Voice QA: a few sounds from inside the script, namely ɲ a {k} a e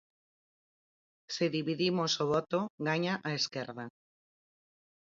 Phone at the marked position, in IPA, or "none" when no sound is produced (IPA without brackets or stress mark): ʔ